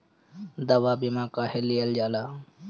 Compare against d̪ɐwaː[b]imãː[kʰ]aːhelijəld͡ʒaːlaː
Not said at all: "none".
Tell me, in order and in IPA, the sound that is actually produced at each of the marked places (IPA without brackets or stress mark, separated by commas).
b, k